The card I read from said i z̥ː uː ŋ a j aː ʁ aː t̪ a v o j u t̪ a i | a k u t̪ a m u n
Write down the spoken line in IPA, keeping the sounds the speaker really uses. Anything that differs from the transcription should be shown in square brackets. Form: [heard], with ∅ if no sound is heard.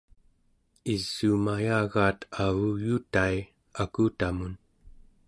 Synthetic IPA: i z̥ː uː [m] a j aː [ɣ] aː t̪ a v [u] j u t̪ a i | a k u t̪ a m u n